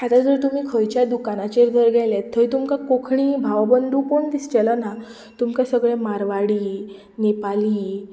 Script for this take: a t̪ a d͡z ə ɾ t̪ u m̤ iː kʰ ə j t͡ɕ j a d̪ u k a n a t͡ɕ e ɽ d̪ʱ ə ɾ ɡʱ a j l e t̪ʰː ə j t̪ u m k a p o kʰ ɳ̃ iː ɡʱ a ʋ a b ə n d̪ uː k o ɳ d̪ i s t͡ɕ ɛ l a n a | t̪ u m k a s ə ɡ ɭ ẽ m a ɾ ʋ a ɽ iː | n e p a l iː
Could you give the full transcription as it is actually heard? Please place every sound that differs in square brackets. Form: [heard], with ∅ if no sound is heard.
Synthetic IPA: a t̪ a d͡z ə ɾ t̪ u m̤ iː kʰ ə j t͡ɕ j a d̪ u k a n a t͡ɕ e [ɾ] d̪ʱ ə ɾ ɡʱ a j l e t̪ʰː ə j t̪ u m k a [k] o kʰ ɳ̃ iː [bʱ] a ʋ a b ə n d̪ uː k o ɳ d̪ i s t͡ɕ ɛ l a n a | t̪ u m k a s ə ɡ ɭ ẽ m a ɾ ʋ a ɽ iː | n e p a l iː

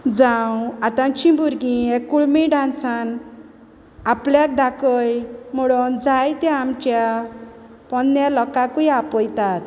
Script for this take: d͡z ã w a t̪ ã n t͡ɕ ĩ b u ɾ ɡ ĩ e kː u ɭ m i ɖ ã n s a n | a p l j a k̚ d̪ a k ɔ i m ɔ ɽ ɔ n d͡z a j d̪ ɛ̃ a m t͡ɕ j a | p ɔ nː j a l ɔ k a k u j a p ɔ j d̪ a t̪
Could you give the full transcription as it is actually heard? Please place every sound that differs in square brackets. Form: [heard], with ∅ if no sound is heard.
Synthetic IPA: d͡z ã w a t̪ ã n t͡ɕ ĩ b u ɾ ɡ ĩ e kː u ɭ m i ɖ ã n s a n | a p l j a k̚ d̪ a k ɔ [j] m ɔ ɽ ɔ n d͡z a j [t̪] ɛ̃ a m t͡ɕ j a | p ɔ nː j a l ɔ k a k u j a p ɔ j [t̪] a t̪

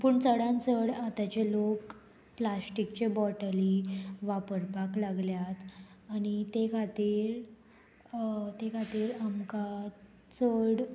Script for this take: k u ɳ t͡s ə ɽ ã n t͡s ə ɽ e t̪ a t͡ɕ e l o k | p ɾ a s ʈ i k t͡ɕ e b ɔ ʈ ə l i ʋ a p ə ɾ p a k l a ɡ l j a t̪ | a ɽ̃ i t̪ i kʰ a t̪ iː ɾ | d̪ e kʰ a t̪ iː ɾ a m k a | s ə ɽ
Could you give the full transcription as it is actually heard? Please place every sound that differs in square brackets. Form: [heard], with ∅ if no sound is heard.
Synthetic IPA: [p] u ɳ t͡s ə ɽ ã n t͡s ə ɽ [a] t̪ a t͡ɕ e l o k | p [l] a s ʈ i k t͡ɕ e b ɔ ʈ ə l i ʋ a p ə ɾ p a k l a ɡ l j a t̪ | a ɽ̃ i t̪ [e] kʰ a t̪ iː ɾ | [t̪] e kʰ a t̪ iː ɾ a m k a | [t͡s] ə ɽ

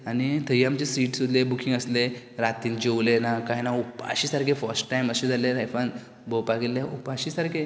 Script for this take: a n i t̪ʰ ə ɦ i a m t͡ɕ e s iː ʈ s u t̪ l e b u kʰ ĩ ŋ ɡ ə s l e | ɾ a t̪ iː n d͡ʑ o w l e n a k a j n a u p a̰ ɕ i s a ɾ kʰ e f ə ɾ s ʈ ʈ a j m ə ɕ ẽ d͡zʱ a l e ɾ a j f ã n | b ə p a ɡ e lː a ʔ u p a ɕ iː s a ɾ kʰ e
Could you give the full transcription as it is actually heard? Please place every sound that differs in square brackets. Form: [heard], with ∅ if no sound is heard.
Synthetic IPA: a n i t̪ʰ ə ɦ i a m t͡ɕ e s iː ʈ s u [d̪] l e b u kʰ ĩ ŋ ɡ ə s l e | ɾ a t̪ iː n d͡ʑ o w l e n a k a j n a u p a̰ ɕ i s a ɾ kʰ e f ə ɾ s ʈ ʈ a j m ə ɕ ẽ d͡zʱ a l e ɾ a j f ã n | b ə p a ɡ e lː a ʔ u p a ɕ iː s a ɾ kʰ e

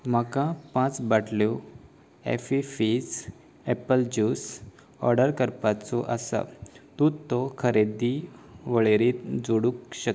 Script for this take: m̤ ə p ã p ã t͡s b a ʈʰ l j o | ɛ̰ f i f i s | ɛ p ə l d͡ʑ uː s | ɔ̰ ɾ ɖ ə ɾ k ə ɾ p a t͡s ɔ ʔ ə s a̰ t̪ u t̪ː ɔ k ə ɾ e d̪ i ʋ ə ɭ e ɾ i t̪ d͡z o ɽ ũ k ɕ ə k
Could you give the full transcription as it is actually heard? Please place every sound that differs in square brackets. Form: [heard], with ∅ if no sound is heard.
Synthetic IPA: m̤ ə [k] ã p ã t͡s b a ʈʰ l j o | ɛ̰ f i f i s | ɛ p ə l d͡ʑ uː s | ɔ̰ ɾ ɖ ə ɾ k ə ɾ p a t͡s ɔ ʔ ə s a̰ t̪ u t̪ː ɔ [kʰ] ə ɾ e d̪ i ʋ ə ɭ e ɾ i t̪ d͡z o ɽ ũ k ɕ ə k

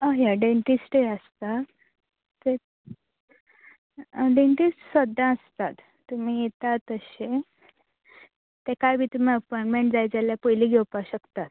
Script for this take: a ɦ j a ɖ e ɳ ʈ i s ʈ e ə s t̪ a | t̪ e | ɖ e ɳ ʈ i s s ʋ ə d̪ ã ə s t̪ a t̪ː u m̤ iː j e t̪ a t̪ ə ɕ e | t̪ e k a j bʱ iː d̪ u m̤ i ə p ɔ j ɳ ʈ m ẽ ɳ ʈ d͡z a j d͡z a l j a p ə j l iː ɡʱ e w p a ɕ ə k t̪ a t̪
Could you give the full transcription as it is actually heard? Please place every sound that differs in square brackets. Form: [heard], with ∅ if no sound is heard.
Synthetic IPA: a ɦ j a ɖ e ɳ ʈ i s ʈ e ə s t̪ a | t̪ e | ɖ e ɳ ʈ i s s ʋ ə d̪ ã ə s t̪ a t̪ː u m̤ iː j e t̪ a t̪ ə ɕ e | t̪ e k a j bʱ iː [t̪] u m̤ i ə p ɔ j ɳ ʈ m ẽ ɳ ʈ d͡z a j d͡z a l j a p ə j l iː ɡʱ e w p a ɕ ə k t̪ a t̪

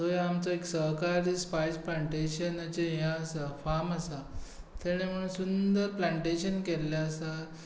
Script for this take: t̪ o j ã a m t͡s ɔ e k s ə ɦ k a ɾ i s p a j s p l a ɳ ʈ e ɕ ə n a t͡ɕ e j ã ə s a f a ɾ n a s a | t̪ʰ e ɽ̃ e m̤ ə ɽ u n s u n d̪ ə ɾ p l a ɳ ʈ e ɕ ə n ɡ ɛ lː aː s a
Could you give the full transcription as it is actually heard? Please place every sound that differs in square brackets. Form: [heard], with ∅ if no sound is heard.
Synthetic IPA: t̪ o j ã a m t͡s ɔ e k s ə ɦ k a ɾ i s p a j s p l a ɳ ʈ e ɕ ə n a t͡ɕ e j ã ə s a f a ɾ [m] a s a | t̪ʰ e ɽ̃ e m̤ ə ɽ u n s u n d̪ ə ɾ p l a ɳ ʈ e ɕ ə n [k] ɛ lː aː s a

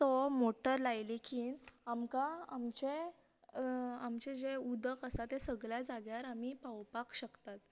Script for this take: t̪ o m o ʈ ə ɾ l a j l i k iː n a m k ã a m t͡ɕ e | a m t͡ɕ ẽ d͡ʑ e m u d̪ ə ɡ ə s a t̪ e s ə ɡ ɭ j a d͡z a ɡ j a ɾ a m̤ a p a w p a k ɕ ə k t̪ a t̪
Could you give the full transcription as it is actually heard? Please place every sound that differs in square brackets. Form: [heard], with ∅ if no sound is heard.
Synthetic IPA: t̪ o m o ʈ ə ɾ l a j l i k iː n a m k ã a m t͡ɕ e | a m t͡ɕ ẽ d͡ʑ e [∅] u d̪ ə [k] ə s a t̪ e s ə ɡ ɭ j a d͡z a ɡ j a ɾ a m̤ [i] p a w p a k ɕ ə k t̪ a t̪

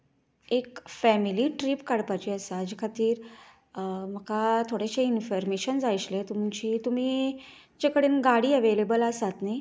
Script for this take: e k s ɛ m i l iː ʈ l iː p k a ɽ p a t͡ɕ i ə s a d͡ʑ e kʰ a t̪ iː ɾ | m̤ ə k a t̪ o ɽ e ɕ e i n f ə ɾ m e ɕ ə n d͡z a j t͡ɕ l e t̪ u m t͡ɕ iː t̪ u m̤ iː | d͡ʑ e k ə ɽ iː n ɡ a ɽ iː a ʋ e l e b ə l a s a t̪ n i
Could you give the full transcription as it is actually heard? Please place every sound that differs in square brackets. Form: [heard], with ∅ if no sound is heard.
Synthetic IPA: e k [f] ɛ m i l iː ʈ [ɾ] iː p k a ɽ p a t͡ɕ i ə s a d͡ʑ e kʰ a t̪ iː ɾ | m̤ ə k a [t̪ʰ] o ɽ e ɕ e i n f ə ɾ m e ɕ ə n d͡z a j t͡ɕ l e t̪ u m t͡ɕ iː t̪ u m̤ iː | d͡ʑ e k ə ɽ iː n ɡ a ɽ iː [ə] ʋ e l e b ə l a s a t̪ n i

